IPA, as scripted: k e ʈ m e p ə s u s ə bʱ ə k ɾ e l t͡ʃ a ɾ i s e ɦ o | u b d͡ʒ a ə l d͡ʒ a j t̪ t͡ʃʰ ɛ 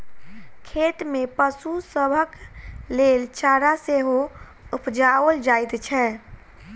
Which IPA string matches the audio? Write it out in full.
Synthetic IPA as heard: kʰ e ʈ m e p ə s u s ə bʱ ə k l e l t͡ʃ a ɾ a s e ɦ o | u p d͡ʒ a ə l d͡ʒ a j t̪ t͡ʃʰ ɛ